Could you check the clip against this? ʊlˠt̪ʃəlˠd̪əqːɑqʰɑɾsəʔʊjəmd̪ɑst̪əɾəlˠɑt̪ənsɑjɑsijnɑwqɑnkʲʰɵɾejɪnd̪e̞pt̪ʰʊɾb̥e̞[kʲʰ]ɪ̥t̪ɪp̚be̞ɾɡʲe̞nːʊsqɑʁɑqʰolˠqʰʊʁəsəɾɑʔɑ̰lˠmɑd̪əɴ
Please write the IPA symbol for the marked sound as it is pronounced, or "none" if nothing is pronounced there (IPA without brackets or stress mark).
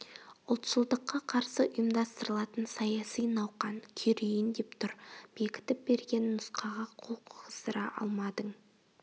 kʲ